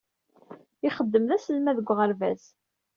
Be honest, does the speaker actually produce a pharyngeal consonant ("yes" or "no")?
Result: no